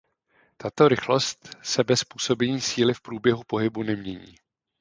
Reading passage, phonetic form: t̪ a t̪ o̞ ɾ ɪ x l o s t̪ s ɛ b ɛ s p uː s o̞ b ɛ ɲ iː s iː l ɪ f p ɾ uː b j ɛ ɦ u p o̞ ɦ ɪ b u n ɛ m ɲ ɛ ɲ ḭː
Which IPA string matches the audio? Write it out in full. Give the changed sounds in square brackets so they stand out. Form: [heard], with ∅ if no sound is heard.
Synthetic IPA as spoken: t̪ a t̪ o̞ ɾ ɪ x l o s t̪ s ɛ b ɛ s p uː s o̞ b ɛ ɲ iː s iː l ɪ f p ɾ uː b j ɛ ɦ u p o̞ ɦ ɪ b u n ɛ m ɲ ɛ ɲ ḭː